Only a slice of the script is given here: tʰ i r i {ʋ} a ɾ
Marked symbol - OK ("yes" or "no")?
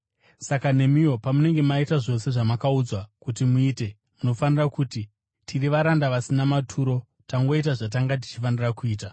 yes